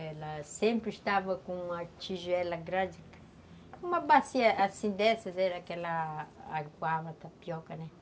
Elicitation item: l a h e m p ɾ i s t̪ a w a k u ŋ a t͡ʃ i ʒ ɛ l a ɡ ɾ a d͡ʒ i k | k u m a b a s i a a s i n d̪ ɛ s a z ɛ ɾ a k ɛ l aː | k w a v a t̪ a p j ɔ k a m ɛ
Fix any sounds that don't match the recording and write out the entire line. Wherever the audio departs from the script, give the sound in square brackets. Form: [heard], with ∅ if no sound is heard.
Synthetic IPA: l a [s] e m p ɾ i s t̪ a [v] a k u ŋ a t͡ʃ i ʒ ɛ l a ɡ ɾ a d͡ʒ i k | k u m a b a s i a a s i n d̪ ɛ s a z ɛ ɾ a k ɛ l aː | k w a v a t̪ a p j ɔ k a [n] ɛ